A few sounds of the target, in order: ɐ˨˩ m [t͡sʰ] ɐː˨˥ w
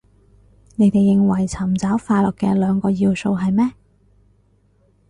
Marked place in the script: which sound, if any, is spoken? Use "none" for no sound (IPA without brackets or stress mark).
t͡s